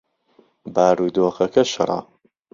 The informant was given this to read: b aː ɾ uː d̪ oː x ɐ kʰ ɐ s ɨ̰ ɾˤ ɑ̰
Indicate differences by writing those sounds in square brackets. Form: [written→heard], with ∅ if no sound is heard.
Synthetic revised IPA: b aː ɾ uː d̪ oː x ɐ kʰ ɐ [s→ʃ] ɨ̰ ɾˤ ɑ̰